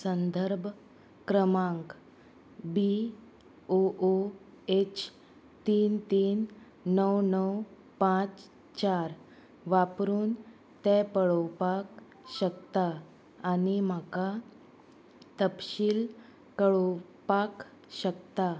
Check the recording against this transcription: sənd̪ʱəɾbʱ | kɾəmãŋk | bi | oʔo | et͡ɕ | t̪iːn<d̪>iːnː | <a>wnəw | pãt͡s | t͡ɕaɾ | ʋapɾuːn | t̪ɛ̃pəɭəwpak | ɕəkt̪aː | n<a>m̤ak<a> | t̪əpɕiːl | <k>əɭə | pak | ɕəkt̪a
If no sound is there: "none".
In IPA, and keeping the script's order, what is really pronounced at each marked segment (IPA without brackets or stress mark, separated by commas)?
t̪, ə, i, a, k